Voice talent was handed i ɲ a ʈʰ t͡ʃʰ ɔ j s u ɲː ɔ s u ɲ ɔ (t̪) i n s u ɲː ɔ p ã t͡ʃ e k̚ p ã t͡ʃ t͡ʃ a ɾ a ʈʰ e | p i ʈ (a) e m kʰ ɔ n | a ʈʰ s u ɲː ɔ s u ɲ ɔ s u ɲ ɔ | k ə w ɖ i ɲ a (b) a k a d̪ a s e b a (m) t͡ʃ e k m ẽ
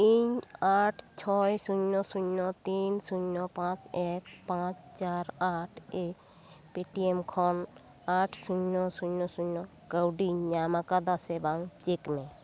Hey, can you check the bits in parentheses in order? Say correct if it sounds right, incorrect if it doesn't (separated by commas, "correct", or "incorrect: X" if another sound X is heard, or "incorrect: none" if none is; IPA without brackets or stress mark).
correct, incorrect: i, incorrect: m, incorrect: ŋ